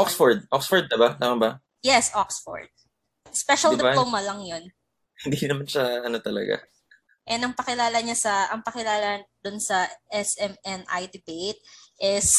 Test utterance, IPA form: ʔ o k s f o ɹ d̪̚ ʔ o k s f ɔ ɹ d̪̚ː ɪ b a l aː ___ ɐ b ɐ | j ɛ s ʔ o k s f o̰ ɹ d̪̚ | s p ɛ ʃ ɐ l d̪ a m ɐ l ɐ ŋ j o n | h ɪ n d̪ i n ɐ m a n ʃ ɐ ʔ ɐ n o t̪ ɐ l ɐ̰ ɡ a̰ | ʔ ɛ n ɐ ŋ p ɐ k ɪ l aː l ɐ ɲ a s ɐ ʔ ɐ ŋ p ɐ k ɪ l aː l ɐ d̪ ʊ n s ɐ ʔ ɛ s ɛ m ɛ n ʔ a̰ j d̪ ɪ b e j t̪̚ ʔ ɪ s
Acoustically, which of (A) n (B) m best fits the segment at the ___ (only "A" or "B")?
B